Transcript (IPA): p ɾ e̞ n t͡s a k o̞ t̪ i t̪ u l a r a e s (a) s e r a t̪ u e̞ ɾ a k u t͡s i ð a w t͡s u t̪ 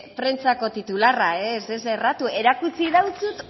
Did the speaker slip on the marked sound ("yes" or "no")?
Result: yes